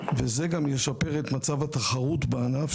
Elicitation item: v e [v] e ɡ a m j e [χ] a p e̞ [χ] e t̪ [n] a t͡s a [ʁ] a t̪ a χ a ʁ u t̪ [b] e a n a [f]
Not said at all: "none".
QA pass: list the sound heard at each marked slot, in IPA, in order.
z, ʃ, ʁ, m, v, b, f

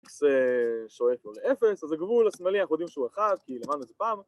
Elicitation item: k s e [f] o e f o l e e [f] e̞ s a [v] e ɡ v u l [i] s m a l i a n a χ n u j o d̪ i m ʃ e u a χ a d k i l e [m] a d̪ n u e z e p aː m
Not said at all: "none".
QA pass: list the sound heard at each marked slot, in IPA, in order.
ʃ, f, z, a, m

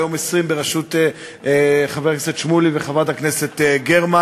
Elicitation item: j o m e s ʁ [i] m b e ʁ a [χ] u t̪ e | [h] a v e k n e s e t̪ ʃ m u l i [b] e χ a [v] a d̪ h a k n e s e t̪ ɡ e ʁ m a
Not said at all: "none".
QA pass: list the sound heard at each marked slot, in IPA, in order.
i, ʃ, χ, v, v

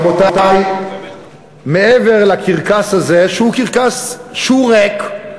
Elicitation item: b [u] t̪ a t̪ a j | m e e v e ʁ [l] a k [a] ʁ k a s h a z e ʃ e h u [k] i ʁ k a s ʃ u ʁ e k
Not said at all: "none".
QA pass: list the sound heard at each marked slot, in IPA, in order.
o, l, i, k

